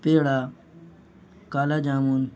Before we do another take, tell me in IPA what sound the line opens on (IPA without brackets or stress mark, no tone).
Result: p